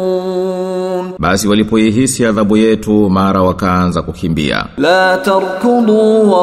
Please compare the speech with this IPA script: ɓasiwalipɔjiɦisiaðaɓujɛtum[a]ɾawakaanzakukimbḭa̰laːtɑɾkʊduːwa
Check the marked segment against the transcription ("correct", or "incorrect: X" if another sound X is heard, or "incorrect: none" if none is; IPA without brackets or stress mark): correct